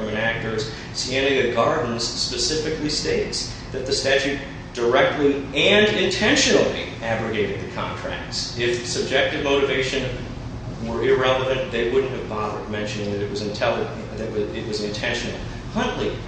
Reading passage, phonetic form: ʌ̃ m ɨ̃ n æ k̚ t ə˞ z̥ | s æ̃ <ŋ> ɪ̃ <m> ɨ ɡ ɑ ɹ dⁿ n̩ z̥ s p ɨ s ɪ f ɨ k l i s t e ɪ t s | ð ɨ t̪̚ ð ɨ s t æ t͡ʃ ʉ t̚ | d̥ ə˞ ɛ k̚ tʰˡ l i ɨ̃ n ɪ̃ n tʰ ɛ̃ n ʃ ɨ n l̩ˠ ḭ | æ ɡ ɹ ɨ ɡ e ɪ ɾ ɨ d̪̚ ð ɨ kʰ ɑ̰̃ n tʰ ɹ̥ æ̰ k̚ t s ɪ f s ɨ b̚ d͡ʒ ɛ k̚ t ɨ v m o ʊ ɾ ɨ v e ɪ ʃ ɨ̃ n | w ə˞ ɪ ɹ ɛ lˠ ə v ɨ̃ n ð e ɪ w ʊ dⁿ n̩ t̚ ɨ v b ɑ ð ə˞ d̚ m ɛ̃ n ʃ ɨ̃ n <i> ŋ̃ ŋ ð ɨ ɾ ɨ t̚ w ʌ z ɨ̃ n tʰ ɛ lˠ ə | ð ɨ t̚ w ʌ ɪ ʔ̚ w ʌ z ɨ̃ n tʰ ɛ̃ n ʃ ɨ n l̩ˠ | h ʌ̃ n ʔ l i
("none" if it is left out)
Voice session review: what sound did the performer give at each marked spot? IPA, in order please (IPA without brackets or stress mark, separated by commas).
n, ŋ, ɪ